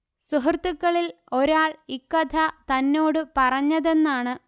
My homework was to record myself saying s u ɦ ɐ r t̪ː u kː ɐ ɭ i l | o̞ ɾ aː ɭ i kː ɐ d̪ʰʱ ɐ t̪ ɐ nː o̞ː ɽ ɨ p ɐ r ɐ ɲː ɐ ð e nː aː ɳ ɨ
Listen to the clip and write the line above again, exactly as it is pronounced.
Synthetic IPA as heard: s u ɦ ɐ r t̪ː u kː ɐ ɭ i l | o̞ ɾ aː ɭ i kː ɐ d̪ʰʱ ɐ t̪ ɐ nː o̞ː ɽ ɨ p ɐ r ɐ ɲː ɐ ð e nː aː ɳ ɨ

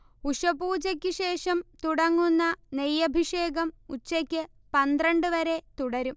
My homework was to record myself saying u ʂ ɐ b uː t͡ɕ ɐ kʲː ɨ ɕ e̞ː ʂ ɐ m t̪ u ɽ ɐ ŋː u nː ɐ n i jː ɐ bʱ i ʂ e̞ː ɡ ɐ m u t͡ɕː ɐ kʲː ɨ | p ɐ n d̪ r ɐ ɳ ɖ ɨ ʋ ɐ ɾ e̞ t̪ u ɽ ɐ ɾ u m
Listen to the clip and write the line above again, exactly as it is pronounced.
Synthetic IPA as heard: u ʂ ɐ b uː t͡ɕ ɐ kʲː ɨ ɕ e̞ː ʂ ɐ m t̪ u ɽ ɐ ŋː u nː ɐ n e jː ɐ bʱ i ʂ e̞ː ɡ ɐ m u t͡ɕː ɐ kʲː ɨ | p ɐ n d̪ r ɐ ɳ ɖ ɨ ʋ ɐ ɾ e̞ t̪ u ɽ ɐ ɾ u m

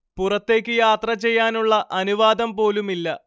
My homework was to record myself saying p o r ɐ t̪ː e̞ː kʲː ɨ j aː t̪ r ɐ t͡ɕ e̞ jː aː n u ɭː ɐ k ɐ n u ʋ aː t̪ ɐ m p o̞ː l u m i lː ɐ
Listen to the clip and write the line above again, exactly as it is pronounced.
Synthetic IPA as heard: p u r ɐ t̪ː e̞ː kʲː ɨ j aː t̪ r ɐ t͡ɕ e̞ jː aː n u ɭː ɐ ʔ ɐ n u ʋ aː d̪ ɐ m p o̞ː l u m i lː ɐ

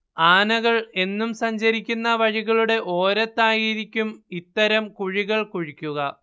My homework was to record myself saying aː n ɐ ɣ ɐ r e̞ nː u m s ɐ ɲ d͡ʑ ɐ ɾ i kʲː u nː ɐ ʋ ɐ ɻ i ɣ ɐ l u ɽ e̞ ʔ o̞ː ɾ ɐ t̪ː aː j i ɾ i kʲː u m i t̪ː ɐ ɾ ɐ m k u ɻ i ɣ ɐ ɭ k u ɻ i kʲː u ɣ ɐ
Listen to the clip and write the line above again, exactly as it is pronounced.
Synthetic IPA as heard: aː n ɐ ɣ ɐ ɭ e̞ nː u m s ɐ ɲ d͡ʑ ɐ ɾ i kʲː u nː ɐ ʋ ɐ ɻ i ɣ ɐ ɭ u ɽ e̞ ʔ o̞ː ɾ ɐ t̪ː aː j i ɾ i kʲː u m i t̪ː ɐ ɾ ɐ m k u ɻ i ɣ ɐ ɭ k u ɻ i kʲː u ɣ ɐ

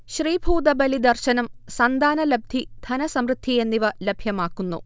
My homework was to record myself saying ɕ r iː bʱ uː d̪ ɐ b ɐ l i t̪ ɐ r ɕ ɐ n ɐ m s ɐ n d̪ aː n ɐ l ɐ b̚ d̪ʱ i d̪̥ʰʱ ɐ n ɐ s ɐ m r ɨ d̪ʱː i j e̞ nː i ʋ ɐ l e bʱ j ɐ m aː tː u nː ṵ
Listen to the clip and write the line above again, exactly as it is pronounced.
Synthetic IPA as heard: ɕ r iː bʱ uː d̪ ɐ b ɐ l i d̪ ɐ r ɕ ɐ n ɐ m s ɐ n d̪ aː n ɐ l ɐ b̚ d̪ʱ i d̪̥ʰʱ ɐ n ɐ s ɐ m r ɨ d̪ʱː i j e̞ nː i ʋ ɐ l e bʱ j ɐ m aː kː u nː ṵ

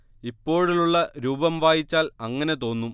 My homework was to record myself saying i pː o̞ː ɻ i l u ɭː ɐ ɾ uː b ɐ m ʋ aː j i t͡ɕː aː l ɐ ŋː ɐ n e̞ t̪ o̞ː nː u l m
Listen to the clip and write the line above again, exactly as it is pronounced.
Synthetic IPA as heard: i pː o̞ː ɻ i l u ɭː ɐ ɾ uː b ɐ m ʋ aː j i t͡ɕː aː l ɐ ŋː ɐ n e̞ t̪ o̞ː nː u m

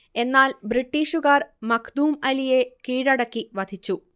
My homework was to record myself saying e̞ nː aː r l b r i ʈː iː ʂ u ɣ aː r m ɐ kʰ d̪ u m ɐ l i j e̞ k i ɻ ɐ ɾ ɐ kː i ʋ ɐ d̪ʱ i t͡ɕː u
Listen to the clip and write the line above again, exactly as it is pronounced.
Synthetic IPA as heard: e̞ nː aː l b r i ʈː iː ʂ u ɣ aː r m ɐ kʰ d̪ uː m ɐ l i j e̞ k iː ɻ ɐ ɽ ɐ kː i ʋ ɐ d̪ʱ i t͡ɕː u

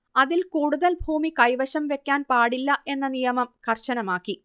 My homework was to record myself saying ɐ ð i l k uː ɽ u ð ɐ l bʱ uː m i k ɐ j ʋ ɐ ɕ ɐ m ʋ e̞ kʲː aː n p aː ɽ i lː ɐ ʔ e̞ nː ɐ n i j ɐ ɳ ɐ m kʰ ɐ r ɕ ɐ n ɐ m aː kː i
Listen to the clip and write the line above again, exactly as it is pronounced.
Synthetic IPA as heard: ɐ ð i l k uː ɽ u ð ɐ l bʱ uː m i k ɐ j ʋ ɐ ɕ ɐ m ʋ e̞ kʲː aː n p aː ɽ i lː ɐ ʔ e̞ nː ɐ n i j ɐ m ɐ m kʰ ɐ r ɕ ɐ n ɐ m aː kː i

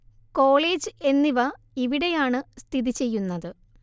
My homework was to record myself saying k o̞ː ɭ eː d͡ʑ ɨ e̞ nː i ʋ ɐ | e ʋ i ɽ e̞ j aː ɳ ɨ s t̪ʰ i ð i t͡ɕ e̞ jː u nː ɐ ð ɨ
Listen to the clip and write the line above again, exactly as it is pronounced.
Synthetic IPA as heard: k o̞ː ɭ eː d͡ʑ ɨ e̞ nː i ʋ ɐ | i ʋ i ɽ e̞ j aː ɳ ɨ s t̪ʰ i ð i t͡ɕ e̞ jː u nː ɐ ð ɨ

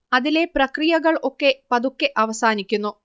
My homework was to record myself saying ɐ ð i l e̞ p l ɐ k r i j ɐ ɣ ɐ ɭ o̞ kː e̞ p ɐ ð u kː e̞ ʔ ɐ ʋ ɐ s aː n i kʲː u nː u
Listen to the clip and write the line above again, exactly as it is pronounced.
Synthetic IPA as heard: ɐ ð i l e̞ p r ɐ k r i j ɐ ɣ ɐ ɭ o̞ kː e̞ p ɐ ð u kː e̞ ʔ ɐ ʋ ɐ s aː n i kʲː u nː u

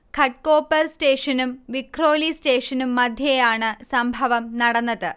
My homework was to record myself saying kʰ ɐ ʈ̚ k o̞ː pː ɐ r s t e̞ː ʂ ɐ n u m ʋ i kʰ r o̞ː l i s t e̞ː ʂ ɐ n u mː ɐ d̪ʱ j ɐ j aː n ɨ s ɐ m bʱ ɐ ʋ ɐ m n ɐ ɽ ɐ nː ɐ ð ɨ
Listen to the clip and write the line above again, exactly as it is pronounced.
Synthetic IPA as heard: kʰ ɐ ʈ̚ k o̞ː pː ɐ r s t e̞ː ʂ ɐ n u m ʋ i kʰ r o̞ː l i s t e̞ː ʂ ɐ n u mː ɐ d̪ʱ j ɐ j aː ɳ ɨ s ɐ m bʱ ɐ ʋ ɐ m n ɐ ɽ ɐ nː ɐ ð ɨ

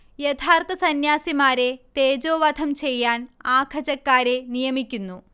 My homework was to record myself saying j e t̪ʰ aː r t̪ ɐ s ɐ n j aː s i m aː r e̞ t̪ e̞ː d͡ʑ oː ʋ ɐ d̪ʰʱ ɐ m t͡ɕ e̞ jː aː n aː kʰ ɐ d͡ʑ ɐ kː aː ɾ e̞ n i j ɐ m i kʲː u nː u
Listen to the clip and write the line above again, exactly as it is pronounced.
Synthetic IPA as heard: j e t̪ʰ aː r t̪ ɐ s ɐ n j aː s i m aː ɾ e̞ t̪ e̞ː d͡ʑ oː ʋ ɐ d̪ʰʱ ɐ m t͡ɕ e̞ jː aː n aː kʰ ɐ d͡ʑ ɐ kː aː ɾ e̞ n i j ɐ m i kʲː u nː u

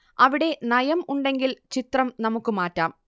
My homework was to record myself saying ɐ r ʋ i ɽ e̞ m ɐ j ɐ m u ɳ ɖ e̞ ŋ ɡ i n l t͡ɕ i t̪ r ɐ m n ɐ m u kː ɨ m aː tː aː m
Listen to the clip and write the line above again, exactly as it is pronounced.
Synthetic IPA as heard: ɐ ʋ i ɽ e̞ n ɐ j ɐ m u ɳ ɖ e̞ ŋ ɡ i l t͡ɕ i t̪ r ɐ m n ɐ m u kː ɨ m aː tː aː m

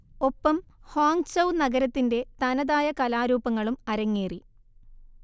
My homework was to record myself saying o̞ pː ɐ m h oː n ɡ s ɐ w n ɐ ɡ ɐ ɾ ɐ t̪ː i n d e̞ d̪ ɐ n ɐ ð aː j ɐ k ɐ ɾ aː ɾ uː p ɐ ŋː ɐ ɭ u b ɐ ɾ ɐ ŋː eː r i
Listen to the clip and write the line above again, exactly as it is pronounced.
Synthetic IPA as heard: o̞ pː ɐ m h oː ŋ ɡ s ɐ w n ɐ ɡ ɐ ɾ ɐ t̪ː i n d e̞ t̪ ɐ n ɐ ð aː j ɐ k ɐ l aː ɾ uː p ɐ ŋː ɐ ɭ u m ɐ ɾ ɐ ŋː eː r i

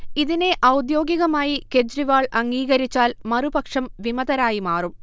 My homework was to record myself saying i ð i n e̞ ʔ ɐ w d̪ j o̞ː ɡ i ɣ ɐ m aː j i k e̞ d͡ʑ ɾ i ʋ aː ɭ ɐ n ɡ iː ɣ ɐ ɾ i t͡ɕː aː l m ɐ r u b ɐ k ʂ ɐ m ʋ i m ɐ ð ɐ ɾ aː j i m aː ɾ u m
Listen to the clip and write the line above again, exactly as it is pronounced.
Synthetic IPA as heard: i ð i n e̞ ʔ ɐ w d̪ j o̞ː ɡ i ɣ ɐ m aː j i k e̞ d͡ʑ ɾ i ʋ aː ɭ ɐ ŋ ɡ iː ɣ ɐ ɾ i t͡ɕː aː l m ɐ r u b ɐ k ʂ ɐ m ʋ i m ɐ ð ɐ ɾ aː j i m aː r u m

